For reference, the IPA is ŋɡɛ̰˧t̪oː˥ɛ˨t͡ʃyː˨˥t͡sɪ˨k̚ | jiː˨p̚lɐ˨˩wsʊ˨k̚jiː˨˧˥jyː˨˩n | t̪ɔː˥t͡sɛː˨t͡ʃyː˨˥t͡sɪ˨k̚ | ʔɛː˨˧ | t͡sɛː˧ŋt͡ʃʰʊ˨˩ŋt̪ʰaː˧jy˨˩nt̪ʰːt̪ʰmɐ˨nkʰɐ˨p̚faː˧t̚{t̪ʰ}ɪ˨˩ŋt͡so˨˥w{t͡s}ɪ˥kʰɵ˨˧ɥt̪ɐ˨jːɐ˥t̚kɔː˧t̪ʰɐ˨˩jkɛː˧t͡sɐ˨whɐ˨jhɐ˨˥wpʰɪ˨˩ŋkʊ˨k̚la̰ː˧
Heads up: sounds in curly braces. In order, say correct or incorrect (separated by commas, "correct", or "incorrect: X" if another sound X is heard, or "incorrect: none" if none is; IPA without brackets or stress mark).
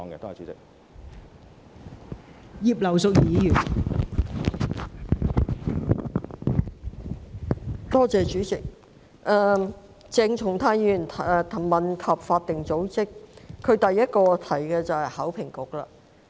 incorrect: t̪, correct